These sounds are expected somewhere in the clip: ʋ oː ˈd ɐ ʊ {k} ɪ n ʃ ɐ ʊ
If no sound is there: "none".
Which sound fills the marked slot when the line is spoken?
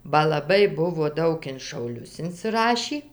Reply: k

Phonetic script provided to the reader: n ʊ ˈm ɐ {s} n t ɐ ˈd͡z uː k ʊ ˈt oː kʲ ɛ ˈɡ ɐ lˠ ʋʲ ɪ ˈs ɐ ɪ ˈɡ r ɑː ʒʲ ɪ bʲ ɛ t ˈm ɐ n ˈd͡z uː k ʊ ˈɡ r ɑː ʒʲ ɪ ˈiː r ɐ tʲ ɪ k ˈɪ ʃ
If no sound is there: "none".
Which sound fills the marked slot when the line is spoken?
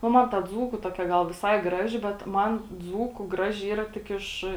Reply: none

